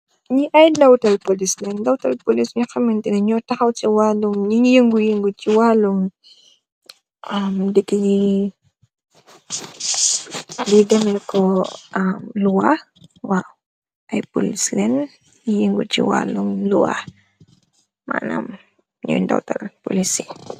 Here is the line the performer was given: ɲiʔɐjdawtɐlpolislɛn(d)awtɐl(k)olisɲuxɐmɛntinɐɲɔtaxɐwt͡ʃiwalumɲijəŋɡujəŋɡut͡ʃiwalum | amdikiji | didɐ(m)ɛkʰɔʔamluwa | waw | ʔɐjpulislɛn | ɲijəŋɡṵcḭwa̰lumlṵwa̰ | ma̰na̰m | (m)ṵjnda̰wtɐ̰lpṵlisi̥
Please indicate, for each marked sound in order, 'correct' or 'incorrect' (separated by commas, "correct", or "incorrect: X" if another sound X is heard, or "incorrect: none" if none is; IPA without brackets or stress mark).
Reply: correct, incorrect: p, correct, incorrect: ɲ